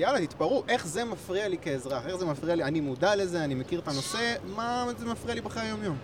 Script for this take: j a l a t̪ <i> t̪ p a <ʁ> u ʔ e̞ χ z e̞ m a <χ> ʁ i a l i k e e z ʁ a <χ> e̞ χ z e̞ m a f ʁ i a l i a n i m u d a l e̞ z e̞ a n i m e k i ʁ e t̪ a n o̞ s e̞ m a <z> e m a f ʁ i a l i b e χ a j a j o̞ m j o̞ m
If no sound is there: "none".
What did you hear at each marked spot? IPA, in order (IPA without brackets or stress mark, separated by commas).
i, ʁ, f, χ, z